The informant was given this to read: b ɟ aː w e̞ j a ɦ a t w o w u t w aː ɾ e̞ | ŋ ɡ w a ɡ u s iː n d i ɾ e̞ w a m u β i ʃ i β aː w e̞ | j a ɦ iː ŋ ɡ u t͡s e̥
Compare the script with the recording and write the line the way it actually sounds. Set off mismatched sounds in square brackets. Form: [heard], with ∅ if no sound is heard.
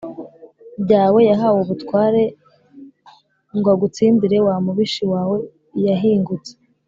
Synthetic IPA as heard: b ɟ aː w e̞ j a ɦ a [∅] w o [β] u t w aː ɾ e̞ | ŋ ɡ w a ɡ u [t͡s] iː n d i ɾ e̞ w a m u β i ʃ i [w] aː w e̞ | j a ɦ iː ŋ ɡ u t͡s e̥